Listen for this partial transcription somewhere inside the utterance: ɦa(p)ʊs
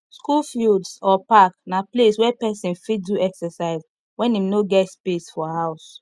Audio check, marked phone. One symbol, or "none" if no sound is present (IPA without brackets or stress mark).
none